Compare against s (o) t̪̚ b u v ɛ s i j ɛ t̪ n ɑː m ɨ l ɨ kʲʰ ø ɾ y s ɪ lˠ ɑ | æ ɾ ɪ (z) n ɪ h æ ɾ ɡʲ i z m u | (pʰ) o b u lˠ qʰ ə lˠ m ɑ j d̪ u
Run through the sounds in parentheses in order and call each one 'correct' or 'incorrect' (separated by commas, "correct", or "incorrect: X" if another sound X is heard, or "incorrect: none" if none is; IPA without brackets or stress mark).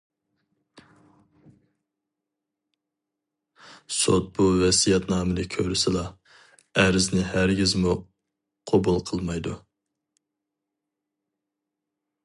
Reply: correct, correct, incorrect: qʰ